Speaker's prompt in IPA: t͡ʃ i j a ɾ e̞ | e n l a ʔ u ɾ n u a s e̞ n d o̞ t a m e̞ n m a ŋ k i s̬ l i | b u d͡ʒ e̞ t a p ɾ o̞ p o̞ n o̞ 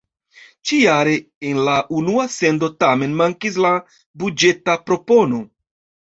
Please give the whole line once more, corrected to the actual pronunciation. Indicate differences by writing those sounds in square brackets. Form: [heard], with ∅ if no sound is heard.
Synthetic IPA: t͡ʃ i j a ɾ e̞ | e n l a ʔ u [∅] n u a s e̞ n d o̞ t a m e̞ n m a ŋ k i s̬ l [a] | b u d͡ʒ e̞ t a p ɾ o̞ p o̞ n o̞